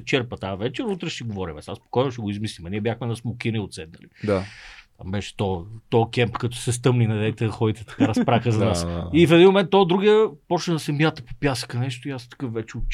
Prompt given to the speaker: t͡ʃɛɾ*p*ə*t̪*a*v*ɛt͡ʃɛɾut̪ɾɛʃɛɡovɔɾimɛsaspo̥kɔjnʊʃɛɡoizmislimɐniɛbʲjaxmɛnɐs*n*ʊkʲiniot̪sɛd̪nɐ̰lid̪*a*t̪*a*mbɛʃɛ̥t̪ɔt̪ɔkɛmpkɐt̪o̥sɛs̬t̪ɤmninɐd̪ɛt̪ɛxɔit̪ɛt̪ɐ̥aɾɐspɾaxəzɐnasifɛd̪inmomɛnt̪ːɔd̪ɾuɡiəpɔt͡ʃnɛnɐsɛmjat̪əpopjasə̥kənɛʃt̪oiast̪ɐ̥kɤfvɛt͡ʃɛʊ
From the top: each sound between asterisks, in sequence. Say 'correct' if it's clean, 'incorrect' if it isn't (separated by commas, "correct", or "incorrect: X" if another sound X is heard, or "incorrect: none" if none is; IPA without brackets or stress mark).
correct, correct, correct, incorrect: m, correct, correct